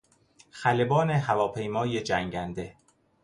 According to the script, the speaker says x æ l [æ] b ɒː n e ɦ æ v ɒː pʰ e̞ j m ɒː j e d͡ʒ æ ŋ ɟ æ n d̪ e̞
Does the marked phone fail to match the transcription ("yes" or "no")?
yes